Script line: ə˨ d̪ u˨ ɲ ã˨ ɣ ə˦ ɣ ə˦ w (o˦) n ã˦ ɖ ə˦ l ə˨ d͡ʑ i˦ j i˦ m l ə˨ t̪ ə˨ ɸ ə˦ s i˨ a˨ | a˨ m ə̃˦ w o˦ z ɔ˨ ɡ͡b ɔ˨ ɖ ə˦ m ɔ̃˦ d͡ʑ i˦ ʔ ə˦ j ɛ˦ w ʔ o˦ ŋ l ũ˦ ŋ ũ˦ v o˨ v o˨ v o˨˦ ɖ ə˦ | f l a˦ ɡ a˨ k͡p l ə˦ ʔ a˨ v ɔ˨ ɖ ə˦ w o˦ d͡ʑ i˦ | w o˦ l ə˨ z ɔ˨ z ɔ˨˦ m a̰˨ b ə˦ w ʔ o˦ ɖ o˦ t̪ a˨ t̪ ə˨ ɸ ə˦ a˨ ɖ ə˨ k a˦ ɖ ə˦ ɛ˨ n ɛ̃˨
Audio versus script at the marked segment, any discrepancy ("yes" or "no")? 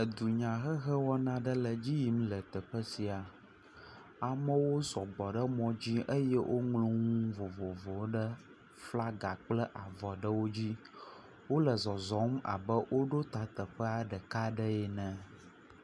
yes